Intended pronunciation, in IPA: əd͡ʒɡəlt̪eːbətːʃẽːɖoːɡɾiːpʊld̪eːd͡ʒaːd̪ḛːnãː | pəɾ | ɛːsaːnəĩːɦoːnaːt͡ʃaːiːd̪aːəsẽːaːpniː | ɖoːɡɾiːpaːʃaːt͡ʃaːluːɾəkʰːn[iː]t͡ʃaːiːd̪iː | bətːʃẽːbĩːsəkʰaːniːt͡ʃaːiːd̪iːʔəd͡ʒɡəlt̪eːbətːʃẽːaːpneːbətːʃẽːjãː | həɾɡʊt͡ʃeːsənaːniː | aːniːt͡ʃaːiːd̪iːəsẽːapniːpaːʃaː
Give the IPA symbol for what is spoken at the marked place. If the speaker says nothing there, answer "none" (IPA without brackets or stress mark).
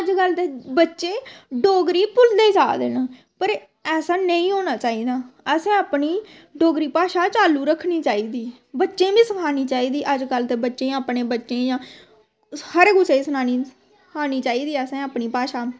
iː